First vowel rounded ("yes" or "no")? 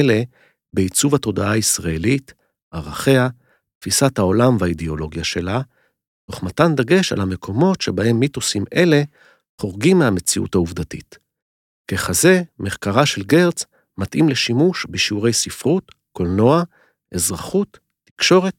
no